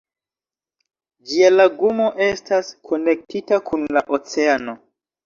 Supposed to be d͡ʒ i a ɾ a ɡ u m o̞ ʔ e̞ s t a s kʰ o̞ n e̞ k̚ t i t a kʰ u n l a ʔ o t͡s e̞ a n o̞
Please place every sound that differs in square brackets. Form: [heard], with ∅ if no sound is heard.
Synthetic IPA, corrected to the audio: d͡ʒ i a [l] a ɡ u m o̞ ʔ e̞ s t a s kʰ o̞ n e̞ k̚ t i t a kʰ u n l a ʔ o t͡s e̞ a n o̞